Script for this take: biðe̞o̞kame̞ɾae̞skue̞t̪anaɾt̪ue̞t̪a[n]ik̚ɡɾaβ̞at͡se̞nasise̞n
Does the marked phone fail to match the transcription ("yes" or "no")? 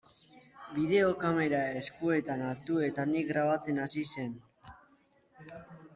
no